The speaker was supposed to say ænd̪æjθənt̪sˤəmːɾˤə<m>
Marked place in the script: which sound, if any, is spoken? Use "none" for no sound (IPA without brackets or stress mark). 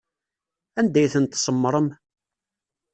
m